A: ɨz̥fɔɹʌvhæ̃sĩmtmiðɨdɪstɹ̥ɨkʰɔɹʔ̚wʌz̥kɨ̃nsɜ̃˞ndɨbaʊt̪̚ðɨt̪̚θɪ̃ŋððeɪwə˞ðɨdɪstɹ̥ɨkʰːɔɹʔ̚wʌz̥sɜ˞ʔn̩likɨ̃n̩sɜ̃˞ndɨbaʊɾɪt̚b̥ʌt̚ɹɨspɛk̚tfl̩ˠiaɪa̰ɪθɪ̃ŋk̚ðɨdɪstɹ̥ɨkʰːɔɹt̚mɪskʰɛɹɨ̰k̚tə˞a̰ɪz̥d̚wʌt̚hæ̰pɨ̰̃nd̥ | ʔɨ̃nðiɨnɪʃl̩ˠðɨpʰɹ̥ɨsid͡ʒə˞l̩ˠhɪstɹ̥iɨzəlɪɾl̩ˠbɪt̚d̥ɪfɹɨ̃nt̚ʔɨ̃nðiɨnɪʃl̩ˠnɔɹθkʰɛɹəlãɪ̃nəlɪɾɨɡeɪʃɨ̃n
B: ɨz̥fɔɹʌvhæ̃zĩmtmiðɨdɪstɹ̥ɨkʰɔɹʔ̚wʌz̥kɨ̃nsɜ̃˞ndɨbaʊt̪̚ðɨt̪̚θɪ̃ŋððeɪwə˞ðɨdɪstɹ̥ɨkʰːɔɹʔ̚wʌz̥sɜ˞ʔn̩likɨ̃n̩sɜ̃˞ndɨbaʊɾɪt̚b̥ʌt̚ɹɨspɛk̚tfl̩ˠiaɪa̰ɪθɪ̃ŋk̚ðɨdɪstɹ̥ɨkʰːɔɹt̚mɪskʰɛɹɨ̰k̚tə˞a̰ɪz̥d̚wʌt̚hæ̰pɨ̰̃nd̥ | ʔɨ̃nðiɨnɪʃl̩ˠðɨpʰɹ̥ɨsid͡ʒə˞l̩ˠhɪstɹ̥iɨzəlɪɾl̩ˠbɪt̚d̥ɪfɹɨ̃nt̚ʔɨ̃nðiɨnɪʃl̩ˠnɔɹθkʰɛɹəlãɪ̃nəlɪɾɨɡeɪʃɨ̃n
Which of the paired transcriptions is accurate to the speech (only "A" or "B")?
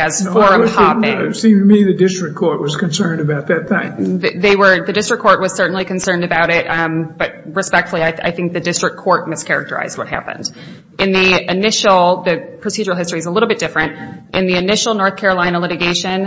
A